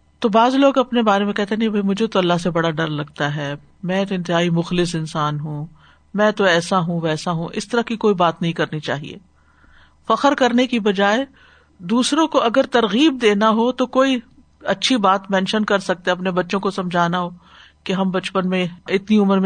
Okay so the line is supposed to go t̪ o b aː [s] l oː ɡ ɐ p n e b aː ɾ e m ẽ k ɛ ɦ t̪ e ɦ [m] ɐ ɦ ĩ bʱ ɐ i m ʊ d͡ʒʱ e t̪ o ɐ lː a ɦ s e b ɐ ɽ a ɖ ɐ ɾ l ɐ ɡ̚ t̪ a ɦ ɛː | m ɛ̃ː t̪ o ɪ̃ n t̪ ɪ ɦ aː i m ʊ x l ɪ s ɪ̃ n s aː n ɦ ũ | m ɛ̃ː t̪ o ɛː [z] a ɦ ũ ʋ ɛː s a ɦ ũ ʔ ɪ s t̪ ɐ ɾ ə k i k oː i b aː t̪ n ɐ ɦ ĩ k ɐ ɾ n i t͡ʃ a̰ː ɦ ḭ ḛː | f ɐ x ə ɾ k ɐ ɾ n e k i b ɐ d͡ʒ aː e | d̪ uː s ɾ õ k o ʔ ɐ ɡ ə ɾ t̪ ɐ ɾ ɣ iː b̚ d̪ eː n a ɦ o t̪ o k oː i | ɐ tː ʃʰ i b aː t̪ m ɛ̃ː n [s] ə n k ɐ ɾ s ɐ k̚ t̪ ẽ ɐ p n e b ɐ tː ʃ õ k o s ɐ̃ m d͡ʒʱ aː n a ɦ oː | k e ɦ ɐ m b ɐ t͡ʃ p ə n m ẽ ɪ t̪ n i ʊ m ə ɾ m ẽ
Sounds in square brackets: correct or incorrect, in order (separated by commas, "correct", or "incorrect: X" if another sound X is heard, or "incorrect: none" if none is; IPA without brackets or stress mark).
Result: incorrect: z, incorrect: n, incorrect: s, incorrect: ʃ